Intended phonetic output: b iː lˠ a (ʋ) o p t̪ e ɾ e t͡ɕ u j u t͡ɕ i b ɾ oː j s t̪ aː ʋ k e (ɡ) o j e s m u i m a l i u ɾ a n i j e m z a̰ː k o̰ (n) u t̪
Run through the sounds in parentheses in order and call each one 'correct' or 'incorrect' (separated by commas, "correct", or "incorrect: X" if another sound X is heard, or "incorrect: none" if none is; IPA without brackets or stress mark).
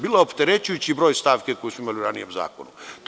incorrect: none, incorrect: k, correct